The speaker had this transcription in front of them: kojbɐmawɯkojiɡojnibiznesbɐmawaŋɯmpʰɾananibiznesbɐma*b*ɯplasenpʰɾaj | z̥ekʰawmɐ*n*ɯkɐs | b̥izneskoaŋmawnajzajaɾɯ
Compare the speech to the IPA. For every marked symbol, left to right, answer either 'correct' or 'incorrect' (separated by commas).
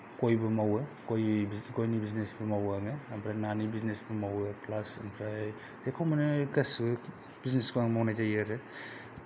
incorrect, correct